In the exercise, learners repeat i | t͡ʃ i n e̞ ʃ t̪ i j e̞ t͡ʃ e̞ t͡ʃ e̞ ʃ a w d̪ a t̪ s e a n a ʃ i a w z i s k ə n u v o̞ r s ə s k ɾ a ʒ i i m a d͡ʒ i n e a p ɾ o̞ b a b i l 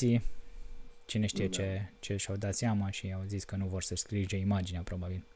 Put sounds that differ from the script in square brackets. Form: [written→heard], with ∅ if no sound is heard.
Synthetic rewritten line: i | t͡ʃ i n e̞ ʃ t̪ i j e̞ t͡ʃ e̞ t͡ʃ e̞ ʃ a w d̪ a t̪ s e a [n→m] a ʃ i a w z i s k ə n u v o̞ r s ə s k ɾ [a→i] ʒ [i→e] i m a d͡ʒ i n e a p ɾ o̞ b a b i l